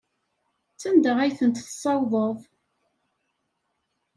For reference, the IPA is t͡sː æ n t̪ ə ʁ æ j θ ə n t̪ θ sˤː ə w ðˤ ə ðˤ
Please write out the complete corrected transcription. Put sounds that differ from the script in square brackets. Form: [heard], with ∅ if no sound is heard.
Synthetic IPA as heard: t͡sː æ n [d̪] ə ʁ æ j θ ə n t̪ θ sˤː [ɑ] w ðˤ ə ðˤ